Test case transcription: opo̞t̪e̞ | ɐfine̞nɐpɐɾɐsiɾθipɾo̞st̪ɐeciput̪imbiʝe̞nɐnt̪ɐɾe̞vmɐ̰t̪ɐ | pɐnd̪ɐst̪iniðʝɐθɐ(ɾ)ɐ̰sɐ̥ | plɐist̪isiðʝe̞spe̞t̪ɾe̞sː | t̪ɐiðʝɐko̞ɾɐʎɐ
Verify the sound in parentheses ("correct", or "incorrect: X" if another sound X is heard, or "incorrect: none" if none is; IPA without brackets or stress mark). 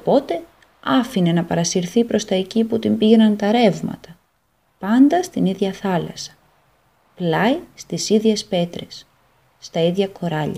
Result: incorrect: l